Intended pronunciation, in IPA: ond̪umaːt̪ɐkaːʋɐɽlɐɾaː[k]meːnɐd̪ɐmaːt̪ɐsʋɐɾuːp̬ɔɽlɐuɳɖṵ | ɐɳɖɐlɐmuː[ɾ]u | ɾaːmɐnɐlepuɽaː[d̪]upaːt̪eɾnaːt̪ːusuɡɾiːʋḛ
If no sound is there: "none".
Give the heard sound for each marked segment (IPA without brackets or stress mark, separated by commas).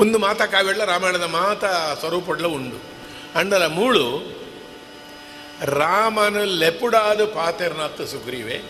none, ɭ, d̪